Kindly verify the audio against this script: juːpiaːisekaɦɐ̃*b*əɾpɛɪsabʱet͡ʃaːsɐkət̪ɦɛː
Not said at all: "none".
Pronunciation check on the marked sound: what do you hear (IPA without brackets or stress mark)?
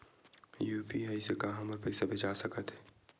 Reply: m